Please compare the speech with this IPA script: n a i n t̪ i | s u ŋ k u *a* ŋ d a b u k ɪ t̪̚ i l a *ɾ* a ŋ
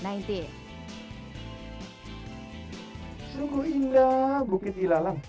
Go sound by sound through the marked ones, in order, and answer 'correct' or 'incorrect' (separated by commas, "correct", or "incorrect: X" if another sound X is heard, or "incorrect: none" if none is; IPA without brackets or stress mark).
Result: incorrect: i, incorrect: l